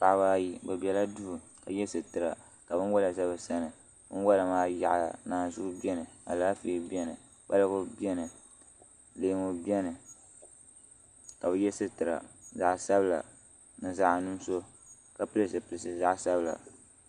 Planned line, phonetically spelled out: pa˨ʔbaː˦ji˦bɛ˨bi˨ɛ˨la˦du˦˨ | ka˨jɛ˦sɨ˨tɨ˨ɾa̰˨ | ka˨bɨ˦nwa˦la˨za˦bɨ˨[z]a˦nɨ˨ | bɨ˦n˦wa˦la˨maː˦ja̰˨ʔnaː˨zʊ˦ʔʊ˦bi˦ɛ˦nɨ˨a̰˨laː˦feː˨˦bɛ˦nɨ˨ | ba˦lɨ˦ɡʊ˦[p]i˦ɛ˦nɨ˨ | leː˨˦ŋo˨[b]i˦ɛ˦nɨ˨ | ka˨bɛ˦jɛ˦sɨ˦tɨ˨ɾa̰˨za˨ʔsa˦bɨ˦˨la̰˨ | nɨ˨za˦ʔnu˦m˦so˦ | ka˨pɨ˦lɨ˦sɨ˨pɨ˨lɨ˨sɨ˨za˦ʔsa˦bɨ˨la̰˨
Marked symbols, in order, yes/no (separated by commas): no, no, yes